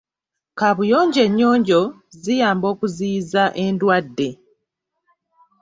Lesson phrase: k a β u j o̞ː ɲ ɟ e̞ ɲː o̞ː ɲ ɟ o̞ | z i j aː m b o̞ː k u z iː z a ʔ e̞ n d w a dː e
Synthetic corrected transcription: k a β u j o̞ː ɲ ɟ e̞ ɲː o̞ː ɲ ɟ o̞ | z i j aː m b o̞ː k u z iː z a ʔ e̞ n d w a dː e

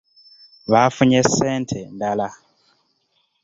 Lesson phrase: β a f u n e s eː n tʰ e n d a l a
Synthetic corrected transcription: β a f u ɲ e s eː n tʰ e n d a l a

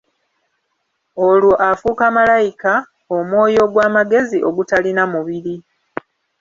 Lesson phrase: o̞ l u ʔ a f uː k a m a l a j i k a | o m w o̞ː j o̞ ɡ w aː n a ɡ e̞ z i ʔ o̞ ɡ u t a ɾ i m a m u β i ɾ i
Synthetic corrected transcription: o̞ l u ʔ a f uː k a m a l a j i k a | o m w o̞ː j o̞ ɡ w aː m a ɡ e̞ z i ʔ o̞ ɡ u t a l i n a m u β i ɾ i

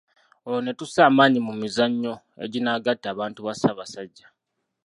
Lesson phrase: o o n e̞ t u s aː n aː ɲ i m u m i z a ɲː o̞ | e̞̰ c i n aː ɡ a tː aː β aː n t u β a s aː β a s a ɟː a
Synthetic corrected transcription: o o n e̞ t u s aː m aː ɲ i m u m i z a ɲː o̞ | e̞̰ ɟ i n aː ɡ a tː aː β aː n t u β a s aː β a s a ɟː a

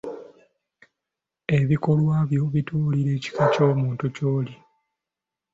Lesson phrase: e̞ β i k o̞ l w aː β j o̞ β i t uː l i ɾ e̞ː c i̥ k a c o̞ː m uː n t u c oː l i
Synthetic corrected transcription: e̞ β i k o̞ l w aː β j o̞ β i t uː l i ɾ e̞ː c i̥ k a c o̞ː m uː n t u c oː l i

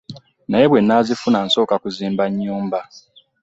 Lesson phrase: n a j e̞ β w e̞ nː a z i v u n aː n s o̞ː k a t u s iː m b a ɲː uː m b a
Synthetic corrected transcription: n a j e̞ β w e̞ nː a z i f u n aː n s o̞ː k a k u z iː m b a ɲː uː m b a

